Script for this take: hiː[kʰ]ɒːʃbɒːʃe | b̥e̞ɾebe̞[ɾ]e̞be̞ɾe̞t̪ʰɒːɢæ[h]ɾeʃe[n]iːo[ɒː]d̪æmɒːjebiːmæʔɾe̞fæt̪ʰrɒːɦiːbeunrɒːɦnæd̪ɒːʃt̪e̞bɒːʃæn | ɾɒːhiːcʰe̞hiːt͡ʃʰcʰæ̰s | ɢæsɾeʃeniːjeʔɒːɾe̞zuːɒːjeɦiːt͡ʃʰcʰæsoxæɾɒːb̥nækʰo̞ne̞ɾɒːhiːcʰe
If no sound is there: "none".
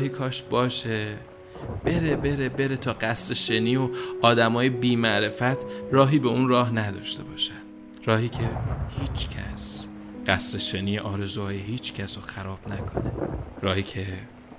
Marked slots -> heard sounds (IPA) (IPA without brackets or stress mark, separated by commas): kʰ, ɾ, s, n, ɒː